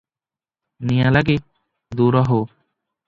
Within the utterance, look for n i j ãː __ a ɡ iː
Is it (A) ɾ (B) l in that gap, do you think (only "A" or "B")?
B